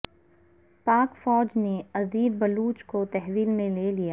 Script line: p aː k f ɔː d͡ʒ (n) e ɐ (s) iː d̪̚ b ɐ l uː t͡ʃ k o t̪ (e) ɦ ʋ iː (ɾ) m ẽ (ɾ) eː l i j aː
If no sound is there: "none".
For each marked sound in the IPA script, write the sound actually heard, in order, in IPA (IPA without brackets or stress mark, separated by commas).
n, z, ɛ, l, l